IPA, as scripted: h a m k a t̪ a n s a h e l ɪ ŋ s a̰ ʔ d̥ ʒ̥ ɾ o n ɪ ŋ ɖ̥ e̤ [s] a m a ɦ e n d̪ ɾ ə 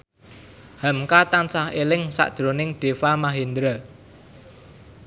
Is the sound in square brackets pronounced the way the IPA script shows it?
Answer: no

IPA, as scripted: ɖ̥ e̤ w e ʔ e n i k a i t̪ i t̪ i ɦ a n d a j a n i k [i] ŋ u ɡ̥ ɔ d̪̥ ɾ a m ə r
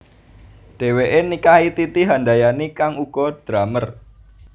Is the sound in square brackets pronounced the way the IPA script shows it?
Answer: no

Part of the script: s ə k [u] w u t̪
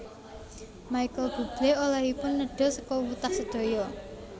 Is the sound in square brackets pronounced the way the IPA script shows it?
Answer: no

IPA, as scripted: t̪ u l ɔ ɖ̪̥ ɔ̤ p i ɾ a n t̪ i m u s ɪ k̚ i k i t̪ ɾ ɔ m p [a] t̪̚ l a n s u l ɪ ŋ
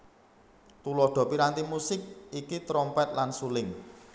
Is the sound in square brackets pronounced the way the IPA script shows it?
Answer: no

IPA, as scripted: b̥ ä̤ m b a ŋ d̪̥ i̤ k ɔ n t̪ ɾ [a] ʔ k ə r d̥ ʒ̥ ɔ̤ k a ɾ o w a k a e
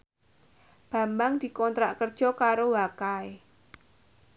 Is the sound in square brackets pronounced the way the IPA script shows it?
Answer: yes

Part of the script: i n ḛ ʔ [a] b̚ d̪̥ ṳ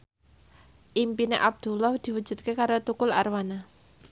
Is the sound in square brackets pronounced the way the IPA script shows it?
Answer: yes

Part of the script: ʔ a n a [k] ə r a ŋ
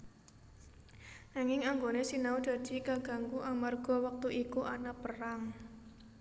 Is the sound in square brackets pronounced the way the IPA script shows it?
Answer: no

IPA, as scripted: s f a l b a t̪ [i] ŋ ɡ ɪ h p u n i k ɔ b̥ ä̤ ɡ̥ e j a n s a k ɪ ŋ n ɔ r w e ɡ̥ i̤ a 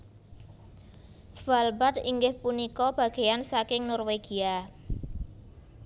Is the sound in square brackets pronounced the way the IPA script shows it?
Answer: yes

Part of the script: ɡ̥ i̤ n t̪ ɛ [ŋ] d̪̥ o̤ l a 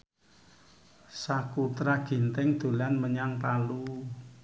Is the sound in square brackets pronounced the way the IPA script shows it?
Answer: yes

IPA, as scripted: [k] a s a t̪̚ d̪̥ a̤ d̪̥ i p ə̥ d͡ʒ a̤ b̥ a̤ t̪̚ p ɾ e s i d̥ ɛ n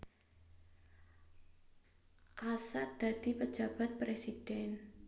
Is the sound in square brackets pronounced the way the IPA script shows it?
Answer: no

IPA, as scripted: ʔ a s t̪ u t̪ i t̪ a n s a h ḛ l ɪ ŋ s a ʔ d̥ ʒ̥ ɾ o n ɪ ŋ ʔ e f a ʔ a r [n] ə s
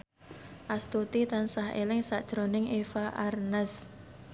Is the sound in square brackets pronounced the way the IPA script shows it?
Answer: yes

